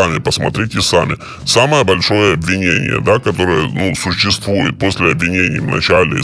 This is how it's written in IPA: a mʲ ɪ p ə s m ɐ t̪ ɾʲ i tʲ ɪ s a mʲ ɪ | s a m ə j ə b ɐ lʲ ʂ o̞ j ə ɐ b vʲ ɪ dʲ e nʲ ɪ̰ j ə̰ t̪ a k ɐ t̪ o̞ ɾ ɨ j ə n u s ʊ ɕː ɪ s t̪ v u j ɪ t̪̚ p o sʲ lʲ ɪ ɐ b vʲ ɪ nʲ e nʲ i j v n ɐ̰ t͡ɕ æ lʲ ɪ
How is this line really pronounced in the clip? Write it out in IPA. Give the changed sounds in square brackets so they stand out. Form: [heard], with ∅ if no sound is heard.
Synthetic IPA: a mʲ ɪ p ə s m ɐ t̪ ɾʲ i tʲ ɪ s a mʲ ɪ | s a m ə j ə b ɐ lʲ ʂ o̞ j ə ɐ b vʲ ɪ [nʲ] e nʲ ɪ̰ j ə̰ [d̪] a k ɐ t̪ o̞ ɾ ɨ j ə n u s ʊ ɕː ɪ s t̪ v u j ɪ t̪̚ p o sʲ lʲ ɪ ɐ b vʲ ɪ nʲ e nʲ [ɪ] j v n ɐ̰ t͡ɕ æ lʲ ɪ